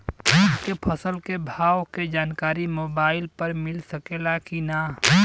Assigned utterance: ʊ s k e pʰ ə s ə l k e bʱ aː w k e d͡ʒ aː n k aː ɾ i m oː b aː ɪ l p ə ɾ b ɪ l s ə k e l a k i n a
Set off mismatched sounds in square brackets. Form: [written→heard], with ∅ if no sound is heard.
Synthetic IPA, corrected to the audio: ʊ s k e pʰ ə s ə l k e bʱ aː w k e d͡ʒ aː n k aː ɾ i m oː b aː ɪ l p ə ɾ [b→m] ɪ l s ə k e l a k i n a